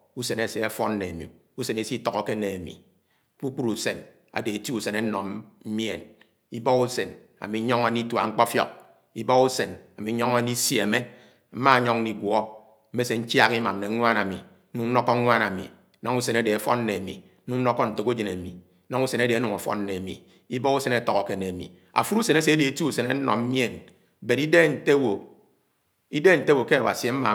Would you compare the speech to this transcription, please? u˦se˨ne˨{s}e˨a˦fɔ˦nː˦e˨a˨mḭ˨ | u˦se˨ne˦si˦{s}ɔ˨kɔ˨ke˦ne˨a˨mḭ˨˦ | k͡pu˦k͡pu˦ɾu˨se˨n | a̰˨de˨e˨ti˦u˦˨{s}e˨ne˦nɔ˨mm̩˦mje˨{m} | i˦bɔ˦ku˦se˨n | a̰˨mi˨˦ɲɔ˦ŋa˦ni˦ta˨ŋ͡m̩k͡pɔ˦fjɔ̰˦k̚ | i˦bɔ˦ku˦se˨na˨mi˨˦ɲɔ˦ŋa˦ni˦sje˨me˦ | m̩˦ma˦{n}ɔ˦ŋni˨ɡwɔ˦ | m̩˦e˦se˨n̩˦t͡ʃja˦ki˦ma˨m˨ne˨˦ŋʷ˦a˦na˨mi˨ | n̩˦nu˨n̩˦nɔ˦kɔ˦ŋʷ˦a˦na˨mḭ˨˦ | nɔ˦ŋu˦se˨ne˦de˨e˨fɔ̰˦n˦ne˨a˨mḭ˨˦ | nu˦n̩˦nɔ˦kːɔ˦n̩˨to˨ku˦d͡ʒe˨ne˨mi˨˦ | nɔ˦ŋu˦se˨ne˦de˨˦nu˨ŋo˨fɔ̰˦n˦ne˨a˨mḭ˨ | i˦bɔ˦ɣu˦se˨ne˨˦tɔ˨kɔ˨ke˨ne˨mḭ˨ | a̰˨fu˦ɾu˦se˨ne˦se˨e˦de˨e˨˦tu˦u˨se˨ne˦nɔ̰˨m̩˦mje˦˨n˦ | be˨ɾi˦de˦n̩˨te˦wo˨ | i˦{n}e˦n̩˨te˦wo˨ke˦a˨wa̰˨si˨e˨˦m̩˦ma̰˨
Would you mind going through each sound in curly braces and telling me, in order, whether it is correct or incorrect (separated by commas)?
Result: correct, incorrect, correct, incorrect, incorrect, incorrect